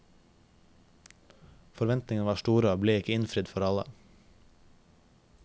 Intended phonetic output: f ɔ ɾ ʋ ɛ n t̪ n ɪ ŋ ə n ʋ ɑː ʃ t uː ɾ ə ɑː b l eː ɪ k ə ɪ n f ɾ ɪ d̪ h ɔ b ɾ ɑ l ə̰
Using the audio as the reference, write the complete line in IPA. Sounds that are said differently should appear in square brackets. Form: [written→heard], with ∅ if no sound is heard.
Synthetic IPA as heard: f ɔ ɾ ʋ ɛ n t̪ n ɪ ŋ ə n ʋ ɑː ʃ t uː ɾ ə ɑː b l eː ɪ k ə ɪ n f ɾ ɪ d̪ [h→f] ɔ [b→∅] ɾ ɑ l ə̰